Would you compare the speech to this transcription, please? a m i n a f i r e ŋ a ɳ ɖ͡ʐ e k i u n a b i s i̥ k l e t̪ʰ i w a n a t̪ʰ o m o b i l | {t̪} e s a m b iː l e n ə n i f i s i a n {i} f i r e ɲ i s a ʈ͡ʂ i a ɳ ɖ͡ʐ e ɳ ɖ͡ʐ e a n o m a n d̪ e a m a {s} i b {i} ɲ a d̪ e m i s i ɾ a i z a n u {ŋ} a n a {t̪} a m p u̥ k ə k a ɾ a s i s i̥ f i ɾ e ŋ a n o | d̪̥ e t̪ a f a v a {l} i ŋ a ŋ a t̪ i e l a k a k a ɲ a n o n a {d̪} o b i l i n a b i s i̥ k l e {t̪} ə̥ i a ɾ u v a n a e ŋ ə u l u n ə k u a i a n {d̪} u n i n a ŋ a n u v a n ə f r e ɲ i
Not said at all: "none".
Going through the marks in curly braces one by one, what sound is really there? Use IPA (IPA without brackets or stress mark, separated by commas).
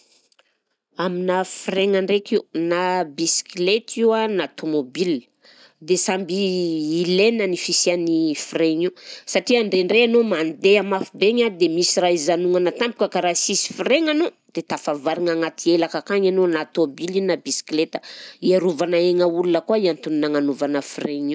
d̪, i, f, e, ŋ, t̪, ɾ, t̪, t̪, t̪